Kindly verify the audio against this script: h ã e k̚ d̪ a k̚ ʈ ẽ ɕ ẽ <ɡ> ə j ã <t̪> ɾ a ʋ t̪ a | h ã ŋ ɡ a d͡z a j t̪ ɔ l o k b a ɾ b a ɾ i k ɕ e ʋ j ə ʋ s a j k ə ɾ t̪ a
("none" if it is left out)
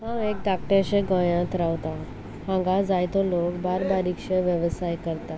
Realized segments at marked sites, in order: ɡ, t̪

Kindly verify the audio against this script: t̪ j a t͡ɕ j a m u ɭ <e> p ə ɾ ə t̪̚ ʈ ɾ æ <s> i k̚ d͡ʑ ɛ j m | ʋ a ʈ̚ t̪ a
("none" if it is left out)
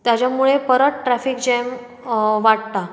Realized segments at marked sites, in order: e, f

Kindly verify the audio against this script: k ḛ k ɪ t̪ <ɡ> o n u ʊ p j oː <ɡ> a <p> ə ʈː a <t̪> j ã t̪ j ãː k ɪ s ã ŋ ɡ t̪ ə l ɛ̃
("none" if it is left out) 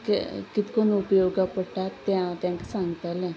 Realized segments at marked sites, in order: k, ɡ, p, t̪

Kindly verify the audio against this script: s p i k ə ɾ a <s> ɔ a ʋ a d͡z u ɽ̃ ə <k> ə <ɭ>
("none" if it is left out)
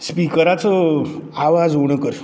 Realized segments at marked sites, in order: t͡s, k, ɾ

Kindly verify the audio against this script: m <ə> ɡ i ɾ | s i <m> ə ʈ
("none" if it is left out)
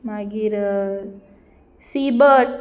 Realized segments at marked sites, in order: a, b

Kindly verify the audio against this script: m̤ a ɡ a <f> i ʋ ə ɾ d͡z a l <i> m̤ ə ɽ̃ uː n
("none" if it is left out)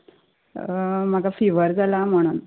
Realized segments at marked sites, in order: f, a

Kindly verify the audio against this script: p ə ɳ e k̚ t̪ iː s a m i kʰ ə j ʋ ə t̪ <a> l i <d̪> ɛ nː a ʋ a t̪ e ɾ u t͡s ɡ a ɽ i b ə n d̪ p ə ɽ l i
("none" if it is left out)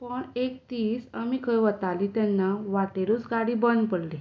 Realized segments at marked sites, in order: a, t̪

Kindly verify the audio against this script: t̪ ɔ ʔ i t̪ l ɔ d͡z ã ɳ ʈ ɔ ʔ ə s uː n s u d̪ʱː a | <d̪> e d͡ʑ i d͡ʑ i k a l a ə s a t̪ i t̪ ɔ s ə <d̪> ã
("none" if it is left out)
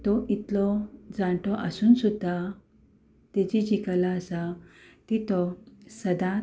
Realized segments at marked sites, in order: t̪, d̪

